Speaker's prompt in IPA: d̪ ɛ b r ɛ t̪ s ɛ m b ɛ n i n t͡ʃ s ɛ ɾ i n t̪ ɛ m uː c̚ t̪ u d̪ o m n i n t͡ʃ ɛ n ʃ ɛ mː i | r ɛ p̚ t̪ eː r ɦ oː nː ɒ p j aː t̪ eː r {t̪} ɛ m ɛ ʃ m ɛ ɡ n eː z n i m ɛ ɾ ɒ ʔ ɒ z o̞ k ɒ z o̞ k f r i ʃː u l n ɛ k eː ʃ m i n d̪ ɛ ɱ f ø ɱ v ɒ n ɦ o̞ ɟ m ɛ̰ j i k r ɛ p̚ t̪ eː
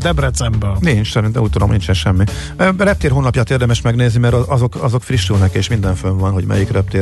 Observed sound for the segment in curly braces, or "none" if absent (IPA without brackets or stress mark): d̪